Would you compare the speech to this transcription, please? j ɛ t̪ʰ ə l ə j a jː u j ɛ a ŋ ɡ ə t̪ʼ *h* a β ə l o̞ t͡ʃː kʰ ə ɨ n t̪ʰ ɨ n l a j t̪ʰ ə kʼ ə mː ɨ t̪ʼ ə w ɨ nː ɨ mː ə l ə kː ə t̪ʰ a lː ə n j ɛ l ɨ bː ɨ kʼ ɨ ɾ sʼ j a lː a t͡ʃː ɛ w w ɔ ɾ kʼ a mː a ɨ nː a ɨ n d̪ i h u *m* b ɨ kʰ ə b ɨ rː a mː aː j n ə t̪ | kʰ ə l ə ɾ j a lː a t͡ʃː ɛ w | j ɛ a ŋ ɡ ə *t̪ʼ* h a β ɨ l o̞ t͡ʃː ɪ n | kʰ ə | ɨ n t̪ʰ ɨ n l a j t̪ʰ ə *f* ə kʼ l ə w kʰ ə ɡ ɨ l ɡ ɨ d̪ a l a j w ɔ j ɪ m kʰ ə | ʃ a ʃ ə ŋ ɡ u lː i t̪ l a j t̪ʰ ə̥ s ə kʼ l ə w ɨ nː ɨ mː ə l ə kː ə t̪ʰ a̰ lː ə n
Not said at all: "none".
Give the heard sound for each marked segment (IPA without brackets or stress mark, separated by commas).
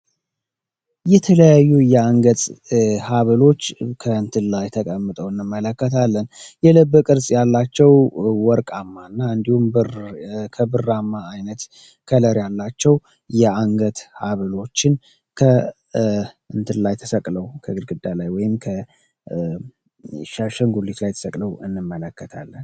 h, m, t̪, s